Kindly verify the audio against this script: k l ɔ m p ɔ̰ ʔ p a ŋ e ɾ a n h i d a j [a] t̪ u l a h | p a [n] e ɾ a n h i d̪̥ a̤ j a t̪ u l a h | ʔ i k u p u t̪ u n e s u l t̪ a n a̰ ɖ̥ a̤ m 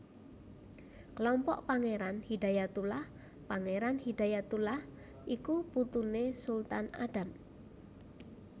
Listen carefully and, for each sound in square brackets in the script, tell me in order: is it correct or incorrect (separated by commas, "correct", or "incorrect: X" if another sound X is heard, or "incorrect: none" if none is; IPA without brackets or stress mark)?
correct, incorrect: ŋ